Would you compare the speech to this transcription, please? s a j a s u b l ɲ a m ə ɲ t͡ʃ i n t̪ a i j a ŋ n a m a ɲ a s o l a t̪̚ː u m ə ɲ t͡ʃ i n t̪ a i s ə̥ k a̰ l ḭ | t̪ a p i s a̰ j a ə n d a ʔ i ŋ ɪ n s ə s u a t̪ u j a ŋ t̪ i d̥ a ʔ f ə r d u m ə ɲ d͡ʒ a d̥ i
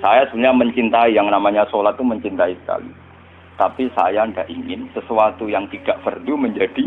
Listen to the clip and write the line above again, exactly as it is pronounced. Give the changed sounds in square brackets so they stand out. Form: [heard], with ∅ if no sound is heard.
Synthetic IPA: s a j a s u b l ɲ a m ə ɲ t͡ʃ i n t̪ a i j a ŋ n a m a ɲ a s o l a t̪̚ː u m ə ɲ t͡ʃ i n t̪ a i s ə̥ k a̰ l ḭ | t̪ a p i s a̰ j a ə n d a ʔ i ŋ ɪ n s ə s u a t̪ u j a ŋ t̪ i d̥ a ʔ f ə r d u m ə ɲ d͡ʒ a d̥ i